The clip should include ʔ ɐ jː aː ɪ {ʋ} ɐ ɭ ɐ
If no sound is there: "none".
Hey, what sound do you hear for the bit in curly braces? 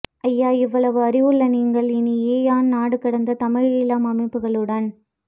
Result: ʋː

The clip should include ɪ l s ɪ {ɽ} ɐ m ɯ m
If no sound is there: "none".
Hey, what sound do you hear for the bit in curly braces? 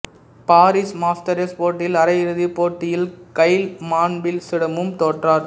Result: ɽ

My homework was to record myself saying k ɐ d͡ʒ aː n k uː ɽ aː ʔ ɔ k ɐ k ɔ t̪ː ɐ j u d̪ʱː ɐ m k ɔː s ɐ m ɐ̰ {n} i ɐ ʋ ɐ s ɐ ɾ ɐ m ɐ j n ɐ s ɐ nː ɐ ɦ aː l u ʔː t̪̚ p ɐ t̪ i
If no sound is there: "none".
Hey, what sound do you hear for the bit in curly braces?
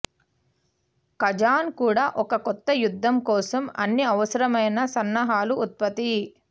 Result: nː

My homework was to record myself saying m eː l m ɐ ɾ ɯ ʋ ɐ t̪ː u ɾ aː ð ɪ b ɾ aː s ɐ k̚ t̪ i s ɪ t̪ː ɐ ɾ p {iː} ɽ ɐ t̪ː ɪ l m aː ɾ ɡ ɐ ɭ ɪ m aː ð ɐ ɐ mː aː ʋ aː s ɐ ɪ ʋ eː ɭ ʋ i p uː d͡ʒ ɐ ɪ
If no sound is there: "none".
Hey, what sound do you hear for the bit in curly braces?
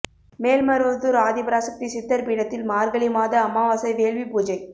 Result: iː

